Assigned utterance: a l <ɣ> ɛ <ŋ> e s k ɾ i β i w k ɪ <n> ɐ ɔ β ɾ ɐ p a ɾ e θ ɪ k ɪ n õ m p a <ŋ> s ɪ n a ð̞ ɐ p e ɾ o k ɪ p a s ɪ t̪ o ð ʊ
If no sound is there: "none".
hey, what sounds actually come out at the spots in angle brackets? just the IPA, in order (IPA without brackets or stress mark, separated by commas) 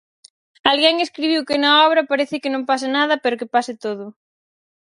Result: ɣ, ŋ, n, none